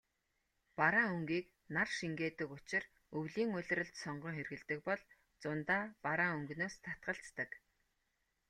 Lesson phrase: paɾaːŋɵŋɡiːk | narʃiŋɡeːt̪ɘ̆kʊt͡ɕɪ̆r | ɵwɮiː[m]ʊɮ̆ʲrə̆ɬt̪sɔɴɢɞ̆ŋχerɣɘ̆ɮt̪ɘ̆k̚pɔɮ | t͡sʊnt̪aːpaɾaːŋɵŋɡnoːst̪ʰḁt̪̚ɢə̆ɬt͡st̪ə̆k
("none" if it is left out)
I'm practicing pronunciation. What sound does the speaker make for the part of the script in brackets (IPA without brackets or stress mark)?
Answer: ŋ